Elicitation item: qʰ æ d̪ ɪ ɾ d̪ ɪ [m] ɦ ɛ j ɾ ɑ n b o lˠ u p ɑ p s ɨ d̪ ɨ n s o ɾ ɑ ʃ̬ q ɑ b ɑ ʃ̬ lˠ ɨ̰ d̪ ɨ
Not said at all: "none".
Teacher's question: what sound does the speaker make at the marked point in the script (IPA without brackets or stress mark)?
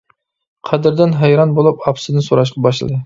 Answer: n